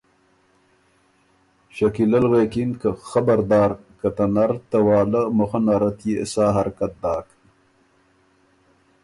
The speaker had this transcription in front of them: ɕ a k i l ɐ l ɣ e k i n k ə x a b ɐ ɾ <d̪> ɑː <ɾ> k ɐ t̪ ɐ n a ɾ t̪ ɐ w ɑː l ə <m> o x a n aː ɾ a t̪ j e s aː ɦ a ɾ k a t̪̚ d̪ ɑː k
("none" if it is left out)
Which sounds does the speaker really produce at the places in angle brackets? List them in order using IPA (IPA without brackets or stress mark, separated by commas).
d̪, ɾ, m